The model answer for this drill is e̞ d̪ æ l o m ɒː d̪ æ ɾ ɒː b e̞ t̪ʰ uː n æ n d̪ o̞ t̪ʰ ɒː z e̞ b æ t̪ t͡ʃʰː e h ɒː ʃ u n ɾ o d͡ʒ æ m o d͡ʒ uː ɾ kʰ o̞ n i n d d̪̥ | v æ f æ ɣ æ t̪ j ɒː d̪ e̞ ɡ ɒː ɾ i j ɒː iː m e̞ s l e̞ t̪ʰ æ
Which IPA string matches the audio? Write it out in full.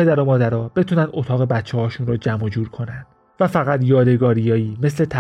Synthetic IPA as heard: e̞ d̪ æ ɾ o m ɒː d̪ æ ɾ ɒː b e̞ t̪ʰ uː n æ n d̪ o̞ t̪ʰ ɒː ɣ e̞ b æ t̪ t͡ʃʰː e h ɒː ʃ u n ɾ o d͡ʒ æ m o d͡ʒ uː ɾ kʰ o̞ n æ n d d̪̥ | v æ f æ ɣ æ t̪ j ɒː d̪ e̞ ɡ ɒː ɾ i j ɒː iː m e̞ s l e̞ t̪ʰ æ